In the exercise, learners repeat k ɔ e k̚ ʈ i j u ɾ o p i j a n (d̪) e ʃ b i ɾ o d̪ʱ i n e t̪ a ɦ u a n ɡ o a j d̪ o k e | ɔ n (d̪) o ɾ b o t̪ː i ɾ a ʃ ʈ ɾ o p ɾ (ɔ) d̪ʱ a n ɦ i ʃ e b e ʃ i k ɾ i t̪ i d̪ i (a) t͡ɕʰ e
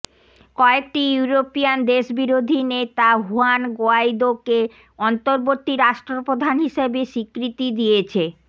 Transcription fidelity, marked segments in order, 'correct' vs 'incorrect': correct, incorrect: t̪, incorrect: o, incorrect: e

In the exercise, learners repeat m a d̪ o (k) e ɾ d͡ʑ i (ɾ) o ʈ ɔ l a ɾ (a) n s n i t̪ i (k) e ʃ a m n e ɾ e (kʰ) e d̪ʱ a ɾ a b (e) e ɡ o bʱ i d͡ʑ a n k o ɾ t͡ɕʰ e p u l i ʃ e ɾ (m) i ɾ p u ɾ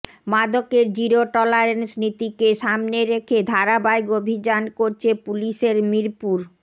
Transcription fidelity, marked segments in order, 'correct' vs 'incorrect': correct, correct, incorrect: e, correct, correct, incorrect: a, correct

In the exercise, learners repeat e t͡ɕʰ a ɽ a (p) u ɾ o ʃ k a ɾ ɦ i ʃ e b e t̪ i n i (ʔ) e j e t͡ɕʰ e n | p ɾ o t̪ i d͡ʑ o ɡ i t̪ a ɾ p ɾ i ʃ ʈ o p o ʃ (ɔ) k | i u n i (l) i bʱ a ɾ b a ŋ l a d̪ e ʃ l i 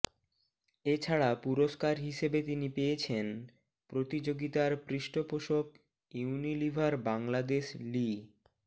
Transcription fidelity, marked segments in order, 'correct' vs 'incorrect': correct, incorrect: p, incorrect: o, correct

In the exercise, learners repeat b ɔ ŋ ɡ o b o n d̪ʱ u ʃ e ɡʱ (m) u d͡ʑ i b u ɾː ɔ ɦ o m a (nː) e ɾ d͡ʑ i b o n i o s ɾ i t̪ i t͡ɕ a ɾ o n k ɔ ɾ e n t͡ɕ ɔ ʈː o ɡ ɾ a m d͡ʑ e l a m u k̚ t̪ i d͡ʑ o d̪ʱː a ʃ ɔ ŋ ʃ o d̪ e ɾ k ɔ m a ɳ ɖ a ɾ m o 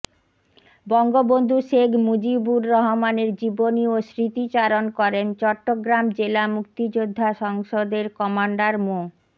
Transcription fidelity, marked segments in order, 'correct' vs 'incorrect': correct, incorrect: n

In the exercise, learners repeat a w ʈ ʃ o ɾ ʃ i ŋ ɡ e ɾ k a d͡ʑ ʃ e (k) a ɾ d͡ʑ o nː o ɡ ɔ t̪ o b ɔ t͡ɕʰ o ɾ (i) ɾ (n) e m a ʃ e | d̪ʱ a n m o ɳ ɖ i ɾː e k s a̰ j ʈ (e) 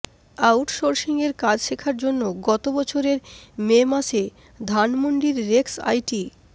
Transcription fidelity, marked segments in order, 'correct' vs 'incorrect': incorrect: kʰ, incorrect: e, incorrect: m, incorrect: i

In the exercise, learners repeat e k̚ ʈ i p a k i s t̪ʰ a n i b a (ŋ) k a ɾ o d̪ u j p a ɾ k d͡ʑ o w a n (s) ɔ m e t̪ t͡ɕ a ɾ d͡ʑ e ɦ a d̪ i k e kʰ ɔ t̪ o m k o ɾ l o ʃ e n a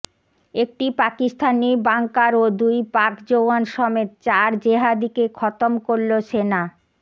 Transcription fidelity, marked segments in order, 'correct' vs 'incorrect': correct, incorrect: ʃ

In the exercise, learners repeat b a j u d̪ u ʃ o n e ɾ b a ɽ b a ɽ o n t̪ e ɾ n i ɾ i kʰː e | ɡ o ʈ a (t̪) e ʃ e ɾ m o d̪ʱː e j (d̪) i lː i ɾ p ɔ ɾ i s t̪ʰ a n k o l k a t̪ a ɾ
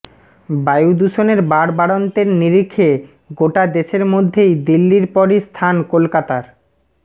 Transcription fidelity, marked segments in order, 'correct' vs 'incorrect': incorrect: d̪, correct

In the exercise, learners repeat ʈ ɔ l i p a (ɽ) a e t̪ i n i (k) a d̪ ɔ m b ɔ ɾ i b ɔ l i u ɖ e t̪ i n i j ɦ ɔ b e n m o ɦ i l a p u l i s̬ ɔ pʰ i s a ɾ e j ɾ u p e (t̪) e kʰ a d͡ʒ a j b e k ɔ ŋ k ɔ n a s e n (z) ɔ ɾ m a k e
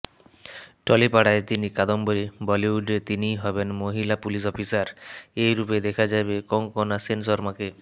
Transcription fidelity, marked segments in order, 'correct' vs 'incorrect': correct, correct, incorrect: d̪, incorrect: s

